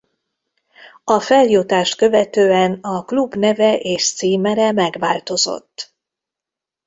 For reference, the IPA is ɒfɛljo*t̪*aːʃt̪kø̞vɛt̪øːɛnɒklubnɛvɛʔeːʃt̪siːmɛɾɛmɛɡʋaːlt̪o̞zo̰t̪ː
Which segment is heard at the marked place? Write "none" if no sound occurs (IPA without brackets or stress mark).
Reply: t̪